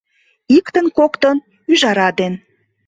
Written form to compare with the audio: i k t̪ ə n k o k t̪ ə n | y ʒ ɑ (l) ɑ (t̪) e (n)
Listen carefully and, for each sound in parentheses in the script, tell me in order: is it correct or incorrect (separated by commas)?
incorrect, incorrect, correct